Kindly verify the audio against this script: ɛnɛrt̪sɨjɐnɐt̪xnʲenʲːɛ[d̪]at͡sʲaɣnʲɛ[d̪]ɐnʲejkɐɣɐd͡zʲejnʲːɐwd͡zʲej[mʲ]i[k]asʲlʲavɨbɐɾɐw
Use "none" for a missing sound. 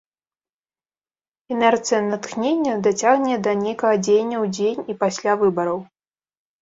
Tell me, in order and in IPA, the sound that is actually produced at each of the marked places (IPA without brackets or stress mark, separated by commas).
d̪, d̪, nʲ, p